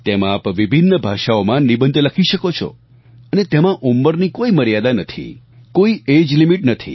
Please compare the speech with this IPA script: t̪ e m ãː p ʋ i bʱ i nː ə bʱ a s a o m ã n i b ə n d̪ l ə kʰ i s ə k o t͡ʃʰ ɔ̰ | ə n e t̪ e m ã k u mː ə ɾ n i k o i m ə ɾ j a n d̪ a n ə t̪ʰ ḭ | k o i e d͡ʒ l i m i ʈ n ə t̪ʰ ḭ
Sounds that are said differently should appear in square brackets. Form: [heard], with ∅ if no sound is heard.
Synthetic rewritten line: t̪ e m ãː p ʋ i bʱ i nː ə bʱ a [ʃ] a o m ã n i b ə n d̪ l ə kʰ i [ʃ] ə k o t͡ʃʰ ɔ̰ | ə n e t̪ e m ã [ʔ] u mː ə ɾ n i k o i m ə ɾ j a [∅] d̪ a n ə t̪ʰ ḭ | k o i e d͡ʒ l i m i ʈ n ə t̪ʰ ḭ

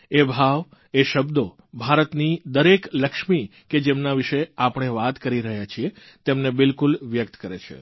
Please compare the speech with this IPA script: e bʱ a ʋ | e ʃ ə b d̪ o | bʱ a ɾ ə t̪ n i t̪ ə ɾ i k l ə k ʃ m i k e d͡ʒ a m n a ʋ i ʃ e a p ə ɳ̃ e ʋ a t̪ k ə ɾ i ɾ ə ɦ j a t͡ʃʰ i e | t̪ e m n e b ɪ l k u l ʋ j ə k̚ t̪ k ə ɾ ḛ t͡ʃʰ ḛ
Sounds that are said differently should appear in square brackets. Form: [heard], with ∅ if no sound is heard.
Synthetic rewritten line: e bʱ a ʋ | e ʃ ə b d̪ o | bʱ a ɾ ə t̪ n i [d̪] ə ɾ [e] k l ə k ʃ m i k e d͡ʒ [e] m n a ʋ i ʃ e a p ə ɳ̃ e ʋ a t̪ k ə ɾ i ɾ ə ɦ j a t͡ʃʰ i e | t̪ e m n e b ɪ l k u l ʋ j ə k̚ t̪ k ə ɾ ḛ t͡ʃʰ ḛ

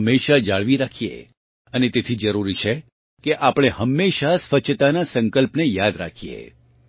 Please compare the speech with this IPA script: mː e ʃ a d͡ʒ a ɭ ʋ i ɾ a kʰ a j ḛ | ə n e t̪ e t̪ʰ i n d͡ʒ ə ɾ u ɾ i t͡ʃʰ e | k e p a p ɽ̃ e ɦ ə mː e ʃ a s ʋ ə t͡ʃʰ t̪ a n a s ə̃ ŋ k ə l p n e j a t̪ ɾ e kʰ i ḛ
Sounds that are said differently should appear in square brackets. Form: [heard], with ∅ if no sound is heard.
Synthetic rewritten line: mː e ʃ a d͡ʒ a ɭ ʋ i ɾ a kʰ [i] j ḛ | ə n e t̪ e t̪ʰ i [∅] d͡ʒ ə ɾ u ɾ i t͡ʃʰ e | k e [ʔ] a p ɽ̃ e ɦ ə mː e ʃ a s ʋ ə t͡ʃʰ t̪ a n a s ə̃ ŋ k ə l p n e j a [d̪] ɾ [a] kʰ i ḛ

